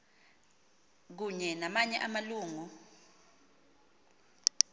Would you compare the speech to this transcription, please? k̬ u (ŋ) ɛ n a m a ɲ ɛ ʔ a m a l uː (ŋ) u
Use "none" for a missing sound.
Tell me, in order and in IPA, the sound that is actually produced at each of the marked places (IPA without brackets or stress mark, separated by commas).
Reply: ɲ, ŋ